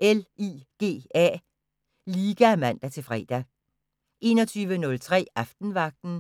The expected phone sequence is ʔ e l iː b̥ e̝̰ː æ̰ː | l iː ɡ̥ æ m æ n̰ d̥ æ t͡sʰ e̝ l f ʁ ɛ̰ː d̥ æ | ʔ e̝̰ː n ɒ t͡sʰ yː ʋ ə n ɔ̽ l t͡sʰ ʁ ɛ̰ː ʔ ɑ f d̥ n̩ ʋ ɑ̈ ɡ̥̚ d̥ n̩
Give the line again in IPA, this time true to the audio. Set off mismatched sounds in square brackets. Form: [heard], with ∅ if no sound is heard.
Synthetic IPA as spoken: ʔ e l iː [ɡ̥] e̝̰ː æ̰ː | l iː ɡ̥ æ m æ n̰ d̥ æ t͡sʰ e̝ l f ʁ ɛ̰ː d̥ æ | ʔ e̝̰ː n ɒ t͡sʰ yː ʋ ə n ɔ̽ l t͡sʰ ʁ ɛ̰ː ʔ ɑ f d̥ n̩ ʋ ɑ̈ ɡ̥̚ d̥ n̩